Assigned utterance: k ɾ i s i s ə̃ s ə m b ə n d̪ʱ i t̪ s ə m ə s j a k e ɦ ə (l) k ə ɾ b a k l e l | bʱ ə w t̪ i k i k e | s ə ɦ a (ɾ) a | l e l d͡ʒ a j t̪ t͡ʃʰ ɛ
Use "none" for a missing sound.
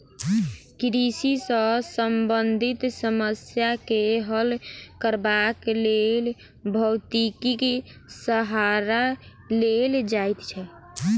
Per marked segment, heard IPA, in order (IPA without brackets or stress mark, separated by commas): l, ɾ